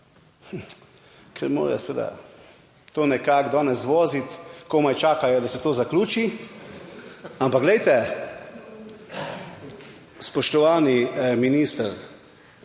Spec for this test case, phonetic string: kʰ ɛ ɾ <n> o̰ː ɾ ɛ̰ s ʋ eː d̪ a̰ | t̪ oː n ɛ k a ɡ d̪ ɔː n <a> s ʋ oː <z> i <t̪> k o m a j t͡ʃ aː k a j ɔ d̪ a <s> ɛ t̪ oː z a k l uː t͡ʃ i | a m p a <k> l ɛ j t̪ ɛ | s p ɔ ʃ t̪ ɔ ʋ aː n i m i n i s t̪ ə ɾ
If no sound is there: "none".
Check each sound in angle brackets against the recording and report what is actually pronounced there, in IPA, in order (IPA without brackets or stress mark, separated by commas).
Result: m, ɛ, z, t̪, s, ɡ